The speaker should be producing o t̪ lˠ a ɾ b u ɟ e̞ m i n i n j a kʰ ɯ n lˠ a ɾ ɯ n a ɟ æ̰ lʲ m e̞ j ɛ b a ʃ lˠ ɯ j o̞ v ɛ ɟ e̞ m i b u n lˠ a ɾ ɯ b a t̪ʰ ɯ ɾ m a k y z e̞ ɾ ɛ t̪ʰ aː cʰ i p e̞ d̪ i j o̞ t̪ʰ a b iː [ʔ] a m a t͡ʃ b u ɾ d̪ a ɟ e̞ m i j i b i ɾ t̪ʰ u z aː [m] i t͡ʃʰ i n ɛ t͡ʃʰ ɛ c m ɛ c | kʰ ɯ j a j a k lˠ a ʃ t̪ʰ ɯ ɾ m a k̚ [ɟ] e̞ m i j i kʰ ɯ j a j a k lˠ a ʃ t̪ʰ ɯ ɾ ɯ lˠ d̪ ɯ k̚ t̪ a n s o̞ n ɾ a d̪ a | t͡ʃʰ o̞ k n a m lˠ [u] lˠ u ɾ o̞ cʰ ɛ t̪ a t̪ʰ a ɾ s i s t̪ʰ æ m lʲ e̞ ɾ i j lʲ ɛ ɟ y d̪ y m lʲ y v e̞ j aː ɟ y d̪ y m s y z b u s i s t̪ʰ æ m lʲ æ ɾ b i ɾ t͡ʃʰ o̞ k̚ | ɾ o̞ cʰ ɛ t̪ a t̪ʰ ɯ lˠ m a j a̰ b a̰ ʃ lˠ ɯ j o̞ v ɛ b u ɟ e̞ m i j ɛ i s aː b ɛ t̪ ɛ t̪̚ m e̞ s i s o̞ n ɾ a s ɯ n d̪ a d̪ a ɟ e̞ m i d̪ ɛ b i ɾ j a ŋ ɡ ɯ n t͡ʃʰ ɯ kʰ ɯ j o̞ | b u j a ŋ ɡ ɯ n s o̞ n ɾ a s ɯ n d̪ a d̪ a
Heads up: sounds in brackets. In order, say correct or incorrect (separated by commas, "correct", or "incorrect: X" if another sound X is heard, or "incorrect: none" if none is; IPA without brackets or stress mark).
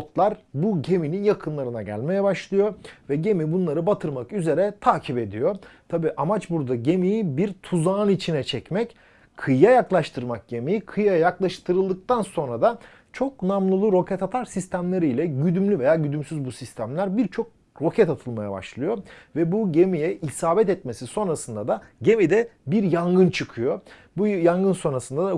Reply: correct, incorrect: n, correct, incorrect: ɯ